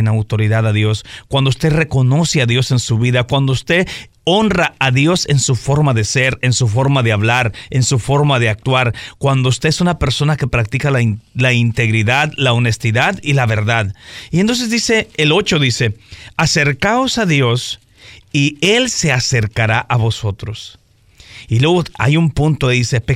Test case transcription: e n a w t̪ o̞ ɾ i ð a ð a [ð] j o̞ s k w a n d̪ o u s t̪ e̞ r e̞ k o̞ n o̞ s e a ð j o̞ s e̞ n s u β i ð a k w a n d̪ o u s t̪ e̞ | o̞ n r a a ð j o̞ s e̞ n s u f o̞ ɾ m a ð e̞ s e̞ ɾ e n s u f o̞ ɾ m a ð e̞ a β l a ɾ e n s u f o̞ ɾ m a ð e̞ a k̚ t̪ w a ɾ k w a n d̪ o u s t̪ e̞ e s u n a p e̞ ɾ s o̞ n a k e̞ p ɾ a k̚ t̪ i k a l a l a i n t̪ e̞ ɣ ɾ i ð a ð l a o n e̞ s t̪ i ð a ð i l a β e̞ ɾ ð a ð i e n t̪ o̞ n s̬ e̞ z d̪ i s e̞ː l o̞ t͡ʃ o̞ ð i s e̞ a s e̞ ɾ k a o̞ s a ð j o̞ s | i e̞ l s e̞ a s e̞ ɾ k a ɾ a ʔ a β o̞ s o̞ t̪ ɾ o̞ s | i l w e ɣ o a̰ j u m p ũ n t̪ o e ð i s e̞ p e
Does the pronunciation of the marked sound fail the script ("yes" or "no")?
no